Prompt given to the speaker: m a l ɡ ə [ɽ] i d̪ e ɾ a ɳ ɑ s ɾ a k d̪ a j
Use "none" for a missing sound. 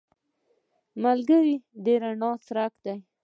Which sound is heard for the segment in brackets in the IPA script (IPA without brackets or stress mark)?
ɾ